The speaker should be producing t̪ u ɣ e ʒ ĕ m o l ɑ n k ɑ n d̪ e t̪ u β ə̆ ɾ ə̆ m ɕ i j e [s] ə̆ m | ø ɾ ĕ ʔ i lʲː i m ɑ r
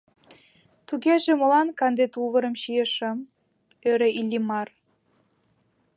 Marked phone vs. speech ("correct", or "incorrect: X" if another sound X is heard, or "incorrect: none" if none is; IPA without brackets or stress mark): incorrect: ʃ